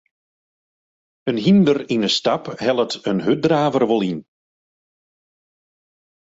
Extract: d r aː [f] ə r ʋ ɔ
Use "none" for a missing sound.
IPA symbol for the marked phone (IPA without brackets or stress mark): v